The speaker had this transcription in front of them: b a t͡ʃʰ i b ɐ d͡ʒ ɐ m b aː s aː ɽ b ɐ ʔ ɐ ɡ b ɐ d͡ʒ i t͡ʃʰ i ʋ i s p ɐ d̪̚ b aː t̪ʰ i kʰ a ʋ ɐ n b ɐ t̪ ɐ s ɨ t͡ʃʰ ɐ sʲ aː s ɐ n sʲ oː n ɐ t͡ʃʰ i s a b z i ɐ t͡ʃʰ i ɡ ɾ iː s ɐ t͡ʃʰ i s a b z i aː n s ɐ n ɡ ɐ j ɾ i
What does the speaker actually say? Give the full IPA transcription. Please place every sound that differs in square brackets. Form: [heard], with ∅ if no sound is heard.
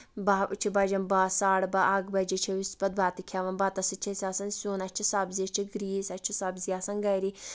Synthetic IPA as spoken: b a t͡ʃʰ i b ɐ d͡ʒ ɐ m b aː s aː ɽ b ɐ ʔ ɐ ɡ b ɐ d͡ʒ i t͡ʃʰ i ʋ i s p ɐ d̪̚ b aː [t̪] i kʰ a ʋ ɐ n b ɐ t̪ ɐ s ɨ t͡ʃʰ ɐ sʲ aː s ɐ n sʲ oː n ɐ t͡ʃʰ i s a b z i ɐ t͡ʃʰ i ɡ ɾ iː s ɐ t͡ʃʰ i s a b z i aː [∅] s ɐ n ɡ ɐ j ɾ i